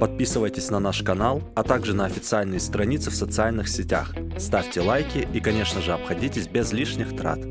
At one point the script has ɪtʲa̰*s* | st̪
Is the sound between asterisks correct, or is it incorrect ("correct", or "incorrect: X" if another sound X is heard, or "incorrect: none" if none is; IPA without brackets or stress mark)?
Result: incorrect: x